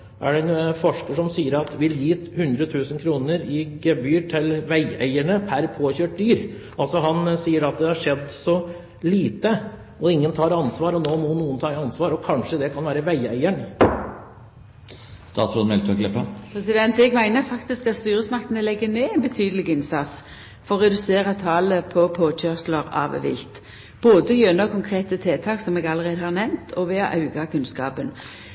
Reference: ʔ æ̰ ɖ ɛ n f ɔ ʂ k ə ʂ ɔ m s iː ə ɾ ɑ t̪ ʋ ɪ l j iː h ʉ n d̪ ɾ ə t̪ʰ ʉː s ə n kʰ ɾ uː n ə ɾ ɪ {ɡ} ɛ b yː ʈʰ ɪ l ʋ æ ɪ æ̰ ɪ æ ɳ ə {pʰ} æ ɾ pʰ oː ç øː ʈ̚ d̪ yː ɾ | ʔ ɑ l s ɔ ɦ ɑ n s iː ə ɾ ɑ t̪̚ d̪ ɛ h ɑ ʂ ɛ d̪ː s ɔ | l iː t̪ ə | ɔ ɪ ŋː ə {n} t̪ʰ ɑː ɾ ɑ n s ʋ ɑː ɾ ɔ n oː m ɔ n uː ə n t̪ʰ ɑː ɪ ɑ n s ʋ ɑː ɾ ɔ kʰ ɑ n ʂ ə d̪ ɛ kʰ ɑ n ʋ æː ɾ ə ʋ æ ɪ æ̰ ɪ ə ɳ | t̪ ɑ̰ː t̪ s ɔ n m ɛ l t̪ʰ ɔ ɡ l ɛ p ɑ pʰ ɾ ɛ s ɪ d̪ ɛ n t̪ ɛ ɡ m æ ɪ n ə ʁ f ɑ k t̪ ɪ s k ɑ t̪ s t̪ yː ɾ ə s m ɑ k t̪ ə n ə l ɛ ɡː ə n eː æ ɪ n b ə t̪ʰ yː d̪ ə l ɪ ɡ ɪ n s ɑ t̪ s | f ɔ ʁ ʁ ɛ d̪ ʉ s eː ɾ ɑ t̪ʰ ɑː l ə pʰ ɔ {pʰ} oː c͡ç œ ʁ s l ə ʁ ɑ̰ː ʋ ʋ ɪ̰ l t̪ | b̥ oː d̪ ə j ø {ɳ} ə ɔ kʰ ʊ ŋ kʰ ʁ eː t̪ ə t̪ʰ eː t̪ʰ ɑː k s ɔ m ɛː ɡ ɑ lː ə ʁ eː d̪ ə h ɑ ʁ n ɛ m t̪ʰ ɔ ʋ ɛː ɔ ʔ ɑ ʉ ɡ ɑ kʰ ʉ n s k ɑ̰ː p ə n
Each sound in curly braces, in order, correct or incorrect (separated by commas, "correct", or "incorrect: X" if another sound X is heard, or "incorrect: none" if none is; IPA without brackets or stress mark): correct, correct, correct, correct, incorrect: n